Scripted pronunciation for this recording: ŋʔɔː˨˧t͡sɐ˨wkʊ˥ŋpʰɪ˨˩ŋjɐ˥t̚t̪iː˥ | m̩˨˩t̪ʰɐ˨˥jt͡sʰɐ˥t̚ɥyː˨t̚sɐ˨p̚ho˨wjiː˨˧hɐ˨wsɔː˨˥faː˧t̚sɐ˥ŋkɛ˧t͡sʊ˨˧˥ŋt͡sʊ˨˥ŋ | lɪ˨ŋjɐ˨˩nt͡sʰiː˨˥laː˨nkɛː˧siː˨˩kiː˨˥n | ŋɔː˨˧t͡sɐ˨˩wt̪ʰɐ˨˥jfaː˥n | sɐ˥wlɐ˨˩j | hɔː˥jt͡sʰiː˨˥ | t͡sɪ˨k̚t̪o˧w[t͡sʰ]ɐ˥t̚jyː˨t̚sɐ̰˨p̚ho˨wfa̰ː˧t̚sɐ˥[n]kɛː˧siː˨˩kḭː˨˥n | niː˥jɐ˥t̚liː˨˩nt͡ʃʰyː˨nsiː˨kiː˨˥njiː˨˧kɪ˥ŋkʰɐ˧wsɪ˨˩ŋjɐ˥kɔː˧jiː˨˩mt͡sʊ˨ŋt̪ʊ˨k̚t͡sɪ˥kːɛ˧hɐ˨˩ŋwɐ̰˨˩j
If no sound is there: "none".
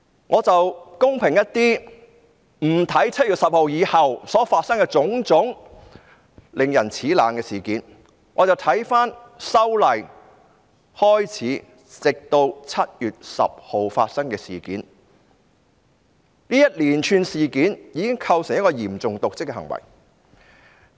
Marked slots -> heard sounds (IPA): t͡sʰ, ŋ

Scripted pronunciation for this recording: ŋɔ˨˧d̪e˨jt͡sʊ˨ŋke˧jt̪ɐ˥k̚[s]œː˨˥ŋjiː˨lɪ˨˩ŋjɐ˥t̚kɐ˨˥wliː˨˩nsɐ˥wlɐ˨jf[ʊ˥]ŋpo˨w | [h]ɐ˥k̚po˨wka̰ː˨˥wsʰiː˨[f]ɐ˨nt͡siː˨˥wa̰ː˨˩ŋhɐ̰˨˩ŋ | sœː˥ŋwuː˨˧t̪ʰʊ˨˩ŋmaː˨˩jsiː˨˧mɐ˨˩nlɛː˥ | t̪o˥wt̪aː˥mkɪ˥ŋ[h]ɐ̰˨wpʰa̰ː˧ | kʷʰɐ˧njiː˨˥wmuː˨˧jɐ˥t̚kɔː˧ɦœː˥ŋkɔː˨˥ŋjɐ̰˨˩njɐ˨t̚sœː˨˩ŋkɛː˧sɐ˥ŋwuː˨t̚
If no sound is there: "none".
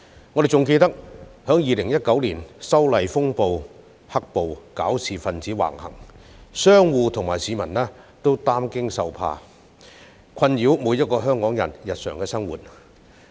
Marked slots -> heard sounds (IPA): h, ʊ˥, h, f, s

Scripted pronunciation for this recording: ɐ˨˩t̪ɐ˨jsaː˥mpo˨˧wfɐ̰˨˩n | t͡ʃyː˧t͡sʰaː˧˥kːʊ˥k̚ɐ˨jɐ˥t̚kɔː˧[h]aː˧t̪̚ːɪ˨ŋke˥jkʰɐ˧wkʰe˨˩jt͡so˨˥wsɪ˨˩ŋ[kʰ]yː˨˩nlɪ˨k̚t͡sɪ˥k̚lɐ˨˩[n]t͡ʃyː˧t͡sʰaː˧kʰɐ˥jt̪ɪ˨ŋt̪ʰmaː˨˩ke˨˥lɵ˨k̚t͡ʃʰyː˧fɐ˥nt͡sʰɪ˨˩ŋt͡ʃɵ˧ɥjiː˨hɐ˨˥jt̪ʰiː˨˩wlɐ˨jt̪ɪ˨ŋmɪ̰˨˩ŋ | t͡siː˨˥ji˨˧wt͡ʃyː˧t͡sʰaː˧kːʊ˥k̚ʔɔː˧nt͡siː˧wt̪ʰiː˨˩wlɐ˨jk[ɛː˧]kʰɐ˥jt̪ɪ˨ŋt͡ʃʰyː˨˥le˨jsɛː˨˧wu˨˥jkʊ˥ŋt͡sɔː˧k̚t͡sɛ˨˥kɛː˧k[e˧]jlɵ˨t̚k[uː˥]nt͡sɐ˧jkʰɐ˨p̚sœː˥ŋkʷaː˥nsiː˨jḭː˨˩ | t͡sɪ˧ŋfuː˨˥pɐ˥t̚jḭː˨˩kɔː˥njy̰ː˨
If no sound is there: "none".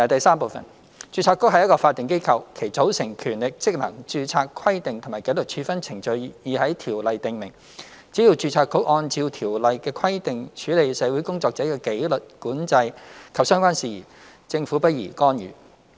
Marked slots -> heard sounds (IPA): f, kʰ, ŋ, ɛː˧, e˨˥, uː˨˥

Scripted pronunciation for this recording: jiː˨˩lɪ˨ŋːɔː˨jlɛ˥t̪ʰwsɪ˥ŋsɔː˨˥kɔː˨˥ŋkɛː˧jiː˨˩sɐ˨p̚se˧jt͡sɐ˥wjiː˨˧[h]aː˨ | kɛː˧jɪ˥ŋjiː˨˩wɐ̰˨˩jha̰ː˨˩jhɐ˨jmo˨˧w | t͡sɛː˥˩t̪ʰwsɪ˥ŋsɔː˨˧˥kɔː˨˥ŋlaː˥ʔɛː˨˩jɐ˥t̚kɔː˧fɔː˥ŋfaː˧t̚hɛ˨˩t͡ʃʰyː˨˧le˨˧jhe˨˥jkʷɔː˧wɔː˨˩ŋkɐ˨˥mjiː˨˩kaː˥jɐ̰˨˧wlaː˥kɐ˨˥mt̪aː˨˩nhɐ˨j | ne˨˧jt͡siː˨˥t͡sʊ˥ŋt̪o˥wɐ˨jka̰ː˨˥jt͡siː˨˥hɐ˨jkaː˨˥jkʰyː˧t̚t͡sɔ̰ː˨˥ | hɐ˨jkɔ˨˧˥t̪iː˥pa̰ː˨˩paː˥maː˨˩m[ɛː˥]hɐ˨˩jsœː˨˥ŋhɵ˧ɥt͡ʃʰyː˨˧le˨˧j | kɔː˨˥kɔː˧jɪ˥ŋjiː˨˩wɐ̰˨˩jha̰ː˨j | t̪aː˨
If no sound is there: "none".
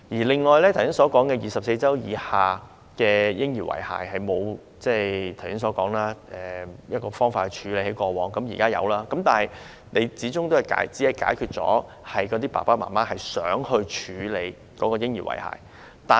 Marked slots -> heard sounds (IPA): h, aː˥

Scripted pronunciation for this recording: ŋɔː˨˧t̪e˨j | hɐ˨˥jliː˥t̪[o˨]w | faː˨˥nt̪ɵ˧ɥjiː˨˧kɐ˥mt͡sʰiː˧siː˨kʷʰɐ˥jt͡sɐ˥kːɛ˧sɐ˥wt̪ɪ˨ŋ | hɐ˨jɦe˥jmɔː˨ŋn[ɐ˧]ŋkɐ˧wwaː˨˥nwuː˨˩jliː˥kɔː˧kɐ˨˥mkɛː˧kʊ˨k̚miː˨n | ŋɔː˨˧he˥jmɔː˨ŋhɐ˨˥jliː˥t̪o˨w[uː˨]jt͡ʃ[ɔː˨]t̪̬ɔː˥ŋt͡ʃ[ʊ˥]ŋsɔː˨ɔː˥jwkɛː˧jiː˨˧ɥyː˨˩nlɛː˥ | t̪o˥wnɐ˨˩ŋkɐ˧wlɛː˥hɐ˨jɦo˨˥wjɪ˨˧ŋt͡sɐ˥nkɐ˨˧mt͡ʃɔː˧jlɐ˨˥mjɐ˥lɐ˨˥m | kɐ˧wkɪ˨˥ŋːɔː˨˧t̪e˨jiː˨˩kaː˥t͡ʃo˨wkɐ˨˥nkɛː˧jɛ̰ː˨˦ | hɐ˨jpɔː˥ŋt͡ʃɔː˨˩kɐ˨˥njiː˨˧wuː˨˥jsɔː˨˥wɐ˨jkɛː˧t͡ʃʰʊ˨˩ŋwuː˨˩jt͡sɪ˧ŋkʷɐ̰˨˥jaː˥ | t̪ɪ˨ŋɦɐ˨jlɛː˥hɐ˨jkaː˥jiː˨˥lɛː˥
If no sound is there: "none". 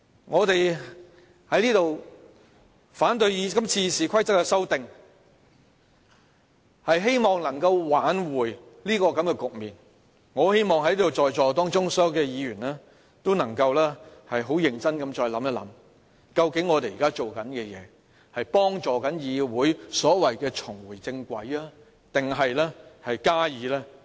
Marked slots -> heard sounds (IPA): o˨, ɐ˨˩, ɔː˨, ɔː˨, ʊ˥

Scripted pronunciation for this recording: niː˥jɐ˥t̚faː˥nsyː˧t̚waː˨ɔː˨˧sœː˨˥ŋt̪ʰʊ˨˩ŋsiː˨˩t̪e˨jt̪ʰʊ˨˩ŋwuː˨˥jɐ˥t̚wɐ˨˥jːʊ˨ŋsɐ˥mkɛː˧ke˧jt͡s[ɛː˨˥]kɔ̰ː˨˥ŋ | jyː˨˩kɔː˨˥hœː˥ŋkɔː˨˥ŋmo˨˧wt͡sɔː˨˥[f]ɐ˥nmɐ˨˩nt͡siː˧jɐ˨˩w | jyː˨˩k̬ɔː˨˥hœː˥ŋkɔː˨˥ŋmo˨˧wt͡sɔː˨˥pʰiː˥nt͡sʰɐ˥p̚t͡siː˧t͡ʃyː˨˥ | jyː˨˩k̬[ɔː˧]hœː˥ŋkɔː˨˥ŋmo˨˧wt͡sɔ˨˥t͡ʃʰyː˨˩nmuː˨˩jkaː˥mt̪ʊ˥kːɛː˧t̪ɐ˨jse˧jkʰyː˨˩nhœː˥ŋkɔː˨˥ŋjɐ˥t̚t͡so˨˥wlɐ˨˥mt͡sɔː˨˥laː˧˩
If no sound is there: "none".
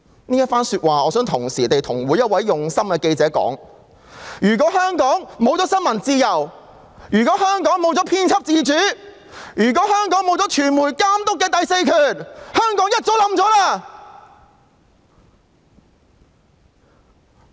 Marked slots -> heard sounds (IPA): ɛː˨˥, s, ɔː˨˥

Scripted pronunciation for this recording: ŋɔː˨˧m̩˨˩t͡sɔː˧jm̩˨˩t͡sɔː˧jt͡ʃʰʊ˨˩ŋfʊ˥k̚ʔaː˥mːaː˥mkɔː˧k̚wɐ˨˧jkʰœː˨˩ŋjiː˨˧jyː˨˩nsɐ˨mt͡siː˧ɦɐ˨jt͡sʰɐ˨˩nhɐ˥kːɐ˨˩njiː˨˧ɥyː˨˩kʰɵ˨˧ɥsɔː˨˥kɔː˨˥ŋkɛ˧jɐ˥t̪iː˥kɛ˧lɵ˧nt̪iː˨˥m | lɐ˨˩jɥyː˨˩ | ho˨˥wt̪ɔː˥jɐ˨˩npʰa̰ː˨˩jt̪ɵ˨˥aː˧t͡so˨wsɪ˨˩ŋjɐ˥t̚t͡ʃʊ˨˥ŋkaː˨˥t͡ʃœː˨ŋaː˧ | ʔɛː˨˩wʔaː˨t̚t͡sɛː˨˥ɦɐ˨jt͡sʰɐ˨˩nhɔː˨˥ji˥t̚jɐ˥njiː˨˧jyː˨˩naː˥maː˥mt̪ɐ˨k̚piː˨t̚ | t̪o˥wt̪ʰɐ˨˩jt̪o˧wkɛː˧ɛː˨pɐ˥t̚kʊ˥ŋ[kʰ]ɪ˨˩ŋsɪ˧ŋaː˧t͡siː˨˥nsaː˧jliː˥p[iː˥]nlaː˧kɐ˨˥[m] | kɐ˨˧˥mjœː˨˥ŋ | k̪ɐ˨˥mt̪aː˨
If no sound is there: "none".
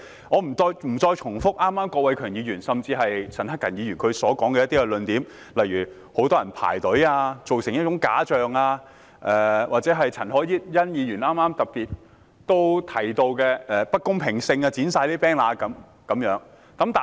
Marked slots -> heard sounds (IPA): pʰ, ɛː˥, m

